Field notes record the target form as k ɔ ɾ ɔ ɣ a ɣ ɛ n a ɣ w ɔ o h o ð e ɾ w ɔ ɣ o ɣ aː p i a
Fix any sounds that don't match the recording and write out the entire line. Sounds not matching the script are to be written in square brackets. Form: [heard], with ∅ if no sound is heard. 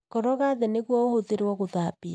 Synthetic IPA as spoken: k ɔ ɾ ɔ ɣ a [ð] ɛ n [e] ɣ w ɔ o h o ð e ɾ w ɔ ɣ o [ð] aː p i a